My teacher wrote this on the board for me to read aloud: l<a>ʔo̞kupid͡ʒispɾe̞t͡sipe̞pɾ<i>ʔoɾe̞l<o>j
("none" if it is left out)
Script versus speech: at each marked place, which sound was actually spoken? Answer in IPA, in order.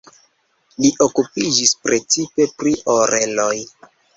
i, i, o

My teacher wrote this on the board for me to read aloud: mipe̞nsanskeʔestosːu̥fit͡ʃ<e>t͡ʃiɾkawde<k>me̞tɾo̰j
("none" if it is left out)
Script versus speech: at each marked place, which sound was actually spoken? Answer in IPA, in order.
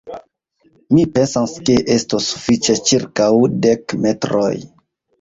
e, k

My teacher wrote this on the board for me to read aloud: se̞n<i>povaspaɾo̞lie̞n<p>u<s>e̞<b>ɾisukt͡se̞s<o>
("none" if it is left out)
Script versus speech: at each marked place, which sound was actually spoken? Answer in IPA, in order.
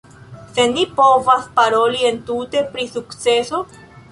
i, t, t, p, o

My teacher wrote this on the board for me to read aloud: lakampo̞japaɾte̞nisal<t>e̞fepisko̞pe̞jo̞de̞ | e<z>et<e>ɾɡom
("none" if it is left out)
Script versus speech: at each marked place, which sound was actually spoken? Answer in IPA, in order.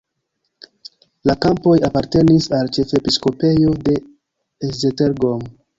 t͡ʃ, z, e

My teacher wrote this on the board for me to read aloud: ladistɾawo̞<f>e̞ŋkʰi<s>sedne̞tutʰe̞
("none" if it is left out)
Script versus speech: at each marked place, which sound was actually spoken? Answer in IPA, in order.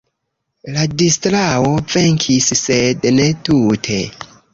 v, s

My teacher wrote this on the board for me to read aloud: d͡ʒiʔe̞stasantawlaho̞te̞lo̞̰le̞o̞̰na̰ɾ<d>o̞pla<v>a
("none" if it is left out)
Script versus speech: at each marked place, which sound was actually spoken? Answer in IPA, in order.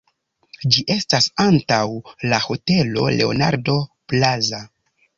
d, z

